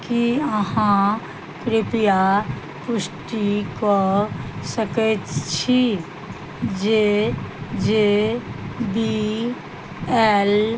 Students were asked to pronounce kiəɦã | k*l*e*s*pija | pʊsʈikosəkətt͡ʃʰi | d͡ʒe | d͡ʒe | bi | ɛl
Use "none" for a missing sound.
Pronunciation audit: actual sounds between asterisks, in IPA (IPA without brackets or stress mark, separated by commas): ɾ, none